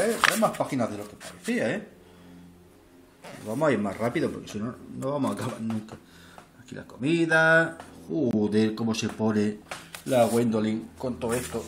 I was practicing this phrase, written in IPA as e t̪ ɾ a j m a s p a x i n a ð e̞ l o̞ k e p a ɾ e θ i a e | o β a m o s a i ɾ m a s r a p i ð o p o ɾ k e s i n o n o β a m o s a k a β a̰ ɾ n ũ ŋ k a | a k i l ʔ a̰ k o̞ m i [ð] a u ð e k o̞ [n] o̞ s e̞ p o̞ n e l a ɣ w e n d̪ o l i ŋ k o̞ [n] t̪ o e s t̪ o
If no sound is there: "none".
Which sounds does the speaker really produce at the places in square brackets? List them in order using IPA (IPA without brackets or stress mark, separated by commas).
ð, m, n